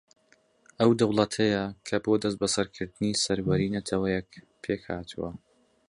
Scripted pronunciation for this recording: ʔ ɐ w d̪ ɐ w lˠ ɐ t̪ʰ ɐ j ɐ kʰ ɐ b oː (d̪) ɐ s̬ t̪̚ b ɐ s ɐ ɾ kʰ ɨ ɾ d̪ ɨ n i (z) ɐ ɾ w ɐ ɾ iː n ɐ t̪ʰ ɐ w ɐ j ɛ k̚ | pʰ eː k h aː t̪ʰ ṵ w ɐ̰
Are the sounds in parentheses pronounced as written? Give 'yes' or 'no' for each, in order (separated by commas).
yes, no